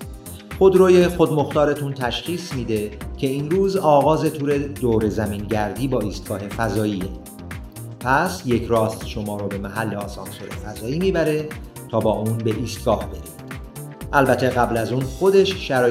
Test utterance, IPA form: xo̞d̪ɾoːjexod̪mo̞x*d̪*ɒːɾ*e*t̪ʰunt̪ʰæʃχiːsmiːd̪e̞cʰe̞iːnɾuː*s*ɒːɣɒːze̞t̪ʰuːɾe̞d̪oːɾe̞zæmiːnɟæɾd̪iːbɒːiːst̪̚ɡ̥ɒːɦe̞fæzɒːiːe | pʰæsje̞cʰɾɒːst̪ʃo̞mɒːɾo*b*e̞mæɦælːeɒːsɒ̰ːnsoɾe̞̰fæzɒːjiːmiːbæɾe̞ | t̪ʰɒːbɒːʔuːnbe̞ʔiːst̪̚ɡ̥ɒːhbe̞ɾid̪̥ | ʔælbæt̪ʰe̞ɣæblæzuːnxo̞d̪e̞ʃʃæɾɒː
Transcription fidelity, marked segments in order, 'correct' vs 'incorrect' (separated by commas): incorrect, correct, incorrect, correct